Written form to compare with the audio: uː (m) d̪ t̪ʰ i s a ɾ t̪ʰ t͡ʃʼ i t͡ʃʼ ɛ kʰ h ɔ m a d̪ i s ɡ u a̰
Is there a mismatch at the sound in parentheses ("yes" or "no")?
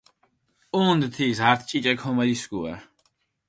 yes